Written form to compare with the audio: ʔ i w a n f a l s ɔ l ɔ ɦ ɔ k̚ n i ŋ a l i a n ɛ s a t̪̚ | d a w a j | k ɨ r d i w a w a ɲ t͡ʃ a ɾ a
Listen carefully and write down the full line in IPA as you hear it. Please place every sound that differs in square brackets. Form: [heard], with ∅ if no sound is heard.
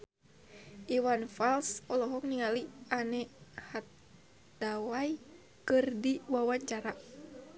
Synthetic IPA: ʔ i w a n f a l s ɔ l ɔ ɦ ɔ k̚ n i ŋ a l i a n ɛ [h] a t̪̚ | d a w a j | k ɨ r d i w a w a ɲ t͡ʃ a ɾ a